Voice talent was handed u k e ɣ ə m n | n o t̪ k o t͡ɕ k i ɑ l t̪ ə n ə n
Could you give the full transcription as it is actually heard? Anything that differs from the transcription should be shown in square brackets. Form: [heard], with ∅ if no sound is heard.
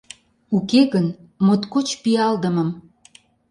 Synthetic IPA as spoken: u k e ɣ ə [∅] n | [m] o t̪ k o t͡ɕ [p] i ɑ l [d̪] ə [m] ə [m]